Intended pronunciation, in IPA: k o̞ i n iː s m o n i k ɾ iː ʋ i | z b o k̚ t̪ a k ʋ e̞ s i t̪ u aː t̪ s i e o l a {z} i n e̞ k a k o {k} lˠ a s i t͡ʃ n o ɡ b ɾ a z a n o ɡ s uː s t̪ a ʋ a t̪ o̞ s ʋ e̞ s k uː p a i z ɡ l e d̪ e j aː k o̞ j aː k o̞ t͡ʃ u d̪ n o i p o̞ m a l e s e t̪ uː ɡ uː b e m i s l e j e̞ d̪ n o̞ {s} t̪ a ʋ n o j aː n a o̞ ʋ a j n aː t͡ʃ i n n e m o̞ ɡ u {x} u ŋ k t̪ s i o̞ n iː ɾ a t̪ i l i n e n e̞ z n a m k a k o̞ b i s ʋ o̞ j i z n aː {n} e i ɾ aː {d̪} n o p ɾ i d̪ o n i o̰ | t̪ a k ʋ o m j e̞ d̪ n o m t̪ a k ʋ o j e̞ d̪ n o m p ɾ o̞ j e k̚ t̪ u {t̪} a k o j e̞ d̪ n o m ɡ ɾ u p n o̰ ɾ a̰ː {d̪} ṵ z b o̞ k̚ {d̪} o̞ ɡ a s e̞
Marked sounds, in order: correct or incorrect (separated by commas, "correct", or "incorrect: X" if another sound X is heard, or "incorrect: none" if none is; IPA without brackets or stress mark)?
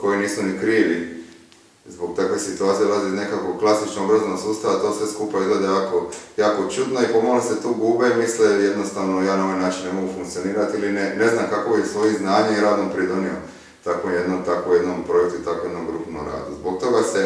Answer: correct, correct, correct, incorrect: f, incorrect: ɲ, correct, correct, correct, incorrect: t̪